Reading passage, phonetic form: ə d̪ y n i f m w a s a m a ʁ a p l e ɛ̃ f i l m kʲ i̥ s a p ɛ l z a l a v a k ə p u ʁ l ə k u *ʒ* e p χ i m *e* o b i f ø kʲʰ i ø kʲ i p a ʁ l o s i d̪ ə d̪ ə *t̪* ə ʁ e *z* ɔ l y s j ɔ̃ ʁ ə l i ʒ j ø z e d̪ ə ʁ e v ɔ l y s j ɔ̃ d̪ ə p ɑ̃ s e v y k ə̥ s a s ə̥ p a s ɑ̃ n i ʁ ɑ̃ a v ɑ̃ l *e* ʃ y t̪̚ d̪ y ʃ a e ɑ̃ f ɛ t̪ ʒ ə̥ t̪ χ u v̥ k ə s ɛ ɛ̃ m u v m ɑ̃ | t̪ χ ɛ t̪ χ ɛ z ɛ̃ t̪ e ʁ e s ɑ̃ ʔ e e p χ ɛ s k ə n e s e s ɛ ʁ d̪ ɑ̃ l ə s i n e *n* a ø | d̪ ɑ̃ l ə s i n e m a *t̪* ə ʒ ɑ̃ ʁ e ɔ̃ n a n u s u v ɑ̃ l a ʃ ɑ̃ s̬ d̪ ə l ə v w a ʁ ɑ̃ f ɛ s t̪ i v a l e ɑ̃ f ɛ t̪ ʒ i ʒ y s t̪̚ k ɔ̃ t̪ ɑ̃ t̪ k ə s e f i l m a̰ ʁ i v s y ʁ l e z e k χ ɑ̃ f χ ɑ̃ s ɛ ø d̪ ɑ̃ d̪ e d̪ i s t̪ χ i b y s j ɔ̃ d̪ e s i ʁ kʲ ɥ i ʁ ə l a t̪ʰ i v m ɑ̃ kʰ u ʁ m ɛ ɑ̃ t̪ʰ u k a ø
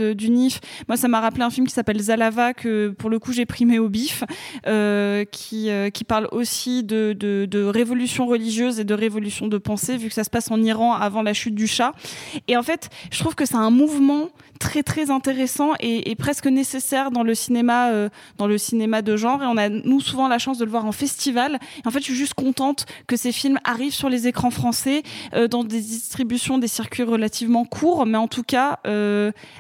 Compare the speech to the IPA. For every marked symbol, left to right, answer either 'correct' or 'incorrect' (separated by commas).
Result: correct, correct, incorrect, incorrect, incorrect, incorrect, incorrect